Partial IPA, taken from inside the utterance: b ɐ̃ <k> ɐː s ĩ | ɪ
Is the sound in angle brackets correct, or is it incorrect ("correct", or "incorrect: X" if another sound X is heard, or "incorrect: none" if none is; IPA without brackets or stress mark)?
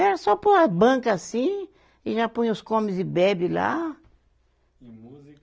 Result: correct